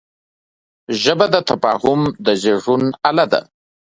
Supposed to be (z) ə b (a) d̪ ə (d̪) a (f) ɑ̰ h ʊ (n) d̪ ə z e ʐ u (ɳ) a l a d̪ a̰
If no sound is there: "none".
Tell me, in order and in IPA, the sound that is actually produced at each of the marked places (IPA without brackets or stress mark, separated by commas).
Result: ʒ, a, t̪, f, m, n